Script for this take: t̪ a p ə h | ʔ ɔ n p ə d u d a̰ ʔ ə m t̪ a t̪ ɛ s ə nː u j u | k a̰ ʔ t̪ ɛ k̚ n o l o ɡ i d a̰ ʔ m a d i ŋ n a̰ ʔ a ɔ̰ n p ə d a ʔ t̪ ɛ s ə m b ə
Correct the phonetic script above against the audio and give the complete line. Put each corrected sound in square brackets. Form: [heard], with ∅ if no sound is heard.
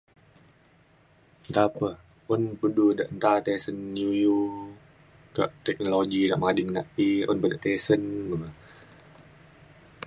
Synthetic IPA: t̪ a p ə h | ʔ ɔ n p ə d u d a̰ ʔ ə [n] t̪ a t̪ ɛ s ə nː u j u | k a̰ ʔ t̪ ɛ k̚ n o l o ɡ i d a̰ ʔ m a d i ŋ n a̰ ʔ [i] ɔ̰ n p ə d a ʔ t̪ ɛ s ə [n] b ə